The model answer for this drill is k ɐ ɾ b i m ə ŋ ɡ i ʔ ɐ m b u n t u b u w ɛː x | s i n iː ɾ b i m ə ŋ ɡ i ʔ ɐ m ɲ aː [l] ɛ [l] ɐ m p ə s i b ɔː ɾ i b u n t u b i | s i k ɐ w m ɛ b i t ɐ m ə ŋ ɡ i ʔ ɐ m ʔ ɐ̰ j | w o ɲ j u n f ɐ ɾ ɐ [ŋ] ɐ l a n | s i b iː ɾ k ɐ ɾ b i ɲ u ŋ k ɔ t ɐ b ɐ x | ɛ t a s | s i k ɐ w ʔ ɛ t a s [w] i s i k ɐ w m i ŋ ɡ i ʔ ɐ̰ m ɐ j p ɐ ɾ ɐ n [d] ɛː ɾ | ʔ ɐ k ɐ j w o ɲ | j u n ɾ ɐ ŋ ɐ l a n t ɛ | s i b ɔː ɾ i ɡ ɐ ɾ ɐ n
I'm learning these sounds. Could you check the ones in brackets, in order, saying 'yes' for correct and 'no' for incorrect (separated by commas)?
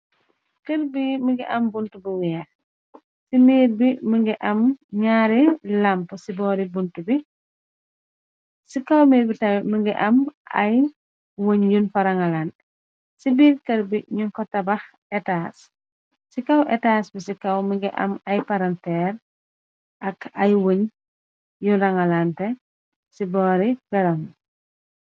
no, yes, yes, no, no